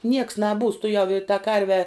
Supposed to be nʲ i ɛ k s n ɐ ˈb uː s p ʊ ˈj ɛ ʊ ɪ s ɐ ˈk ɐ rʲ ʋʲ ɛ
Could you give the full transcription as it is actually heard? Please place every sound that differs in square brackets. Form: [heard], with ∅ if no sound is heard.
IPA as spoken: nʲ i ɛ k s n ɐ ˈb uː s [t] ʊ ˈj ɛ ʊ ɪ [t] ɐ ˈk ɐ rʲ ʋʲ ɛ